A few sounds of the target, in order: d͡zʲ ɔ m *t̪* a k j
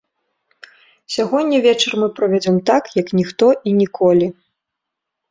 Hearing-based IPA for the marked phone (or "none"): t̪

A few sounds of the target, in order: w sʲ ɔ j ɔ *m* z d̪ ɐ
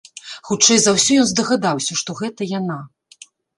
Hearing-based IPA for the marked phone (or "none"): n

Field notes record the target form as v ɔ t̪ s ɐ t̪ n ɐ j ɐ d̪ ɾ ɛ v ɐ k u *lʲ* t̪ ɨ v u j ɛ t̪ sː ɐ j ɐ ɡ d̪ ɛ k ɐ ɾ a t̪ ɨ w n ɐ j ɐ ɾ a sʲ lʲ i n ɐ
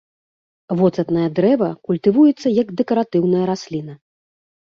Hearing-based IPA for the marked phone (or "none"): lʲ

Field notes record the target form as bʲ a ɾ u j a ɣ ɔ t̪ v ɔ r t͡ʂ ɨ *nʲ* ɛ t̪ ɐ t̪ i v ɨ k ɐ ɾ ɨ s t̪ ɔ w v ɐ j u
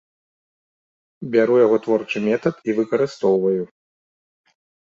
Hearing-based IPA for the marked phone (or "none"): mʲ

